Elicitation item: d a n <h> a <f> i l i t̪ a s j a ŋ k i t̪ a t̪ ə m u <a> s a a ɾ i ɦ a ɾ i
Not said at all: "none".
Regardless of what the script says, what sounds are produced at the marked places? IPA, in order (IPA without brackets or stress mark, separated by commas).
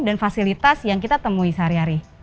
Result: f, s, i